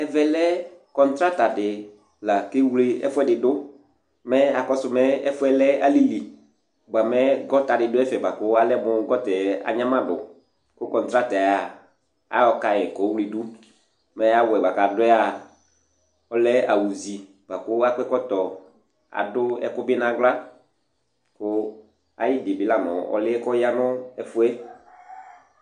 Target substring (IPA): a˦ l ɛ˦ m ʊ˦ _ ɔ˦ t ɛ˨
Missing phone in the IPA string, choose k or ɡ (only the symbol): ɡ